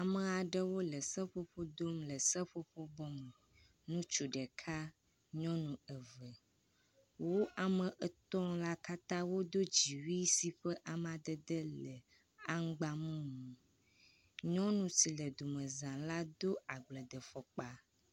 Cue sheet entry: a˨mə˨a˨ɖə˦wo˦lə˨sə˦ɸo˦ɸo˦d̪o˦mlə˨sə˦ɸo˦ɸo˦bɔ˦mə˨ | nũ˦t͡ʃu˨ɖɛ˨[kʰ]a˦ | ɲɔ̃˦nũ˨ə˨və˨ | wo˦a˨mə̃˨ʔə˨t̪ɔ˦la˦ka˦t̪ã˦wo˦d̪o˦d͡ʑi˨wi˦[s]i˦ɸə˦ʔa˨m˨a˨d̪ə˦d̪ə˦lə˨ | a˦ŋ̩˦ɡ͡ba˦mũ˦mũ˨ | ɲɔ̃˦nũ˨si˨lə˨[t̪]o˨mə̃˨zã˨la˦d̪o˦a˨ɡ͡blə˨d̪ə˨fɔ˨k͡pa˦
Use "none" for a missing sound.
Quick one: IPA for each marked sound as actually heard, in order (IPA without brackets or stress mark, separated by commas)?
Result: kʰ, s, d̪